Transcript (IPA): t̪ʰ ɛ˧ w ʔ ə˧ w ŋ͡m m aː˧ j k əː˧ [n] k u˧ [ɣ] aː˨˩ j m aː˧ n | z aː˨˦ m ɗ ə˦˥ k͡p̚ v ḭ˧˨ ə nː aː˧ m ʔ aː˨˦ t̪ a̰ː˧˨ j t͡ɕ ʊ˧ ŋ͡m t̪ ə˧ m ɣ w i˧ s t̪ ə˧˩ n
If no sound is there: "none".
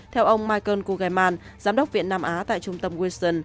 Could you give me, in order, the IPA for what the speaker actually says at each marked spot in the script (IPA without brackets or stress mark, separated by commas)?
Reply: n, ɣ